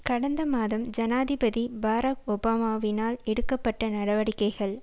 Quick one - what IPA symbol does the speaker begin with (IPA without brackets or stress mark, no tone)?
k